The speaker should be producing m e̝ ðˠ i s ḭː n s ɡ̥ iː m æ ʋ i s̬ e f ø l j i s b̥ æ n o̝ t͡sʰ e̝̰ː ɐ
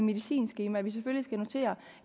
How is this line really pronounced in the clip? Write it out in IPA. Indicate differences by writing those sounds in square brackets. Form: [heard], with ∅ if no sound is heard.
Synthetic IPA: m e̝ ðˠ i s ḭː n s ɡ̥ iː m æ ʋ i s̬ e f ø l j i s [ɡ̥] æ n o̝ t͡sʰ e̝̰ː ɐ